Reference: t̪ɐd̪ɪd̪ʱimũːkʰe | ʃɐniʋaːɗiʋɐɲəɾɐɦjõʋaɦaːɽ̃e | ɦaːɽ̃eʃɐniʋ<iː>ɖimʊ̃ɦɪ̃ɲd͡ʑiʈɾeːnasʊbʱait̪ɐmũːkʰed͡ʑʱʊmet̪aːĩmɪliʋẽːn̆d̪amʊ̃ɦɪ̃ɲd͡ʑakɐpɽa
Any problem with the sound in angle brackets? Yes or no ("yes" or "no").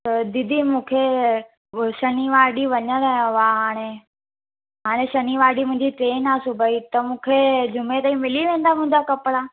yes